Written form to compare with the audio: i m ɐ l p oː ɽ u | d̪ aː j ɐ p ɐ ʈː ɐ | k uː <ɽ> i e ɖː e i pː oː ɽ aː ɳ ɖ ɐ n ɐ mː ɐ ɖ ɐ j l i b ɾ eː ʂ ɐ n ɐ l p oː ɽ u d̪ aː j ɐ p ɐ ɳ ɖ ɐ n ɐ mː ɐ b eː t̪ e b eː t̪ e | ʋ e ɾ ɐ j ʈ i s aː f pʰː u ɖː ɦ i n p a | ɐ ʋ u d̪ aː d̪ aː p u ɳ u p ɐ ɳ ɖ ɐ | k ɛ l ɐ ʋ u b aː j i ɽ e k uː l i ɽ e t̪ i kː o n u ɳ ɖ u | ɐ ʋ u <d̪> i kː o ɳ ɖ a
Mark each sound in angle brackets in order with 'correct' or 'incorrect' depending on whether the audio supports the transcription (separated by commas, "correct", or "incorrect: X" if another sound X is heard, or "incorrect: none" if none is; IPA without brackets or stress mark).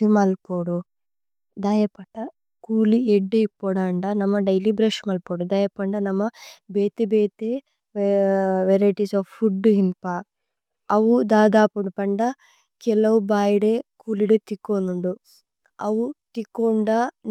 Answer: incorrect: l, incorrect: t̪